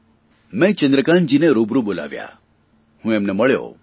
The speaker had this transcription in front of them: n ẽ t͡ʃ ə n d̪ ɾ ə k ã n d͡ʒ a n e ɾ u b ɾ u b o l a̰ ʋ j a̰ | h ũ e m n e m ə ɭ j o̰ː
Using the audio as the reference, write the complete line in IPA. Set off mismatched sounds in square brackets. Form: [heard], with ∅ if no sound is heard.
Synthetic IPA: [m] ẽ t͡ʃ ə n d̪ ɾ ə k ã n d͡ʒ [i] n e ɾ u b ɾ u b o l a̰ ʋ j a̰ | h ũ e m n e m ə ɭ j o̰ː